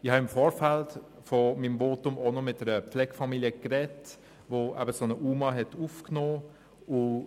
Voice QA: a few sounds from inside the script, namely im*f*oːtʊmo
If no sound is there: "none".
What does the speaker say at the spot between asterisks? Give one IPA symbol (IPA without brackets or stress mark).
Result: v